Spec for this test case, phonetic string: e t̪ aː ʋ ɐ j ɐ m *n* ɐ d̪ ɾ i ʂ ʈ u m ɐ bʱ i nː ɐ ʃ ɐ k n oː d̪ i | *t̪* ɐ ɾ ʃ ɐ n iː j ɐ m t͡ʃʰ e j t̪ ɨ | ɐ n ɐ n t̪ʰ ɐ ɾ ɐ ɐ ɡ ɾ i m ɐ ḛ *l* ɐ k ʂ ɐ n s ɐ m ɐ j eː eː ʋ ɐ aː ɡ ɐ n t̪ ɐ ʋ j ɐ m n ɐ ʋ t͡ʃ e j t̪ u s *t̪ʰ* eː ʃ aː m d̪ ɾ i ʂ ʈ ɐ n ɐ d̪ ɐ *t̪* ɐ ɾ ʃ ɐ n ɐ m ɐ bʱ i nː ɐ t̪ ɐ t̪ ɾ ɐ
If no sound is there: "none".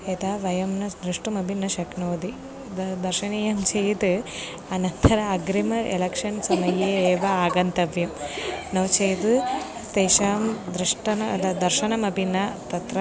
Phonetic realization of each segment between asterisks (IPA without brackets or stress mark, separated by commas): n, d̪, l, t̪, d̪